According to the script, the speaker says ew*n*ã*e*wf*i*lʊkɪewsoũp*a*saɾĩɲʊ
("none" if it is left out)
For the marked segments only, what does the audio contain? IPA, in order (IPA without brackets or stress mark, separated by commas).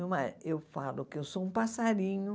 m, e, a, a